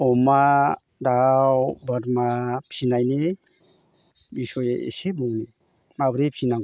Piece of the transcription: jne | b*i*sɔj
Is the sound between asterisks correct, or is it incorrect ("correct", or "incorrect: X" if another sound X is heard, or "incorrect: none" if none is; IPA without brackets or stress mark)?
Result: correct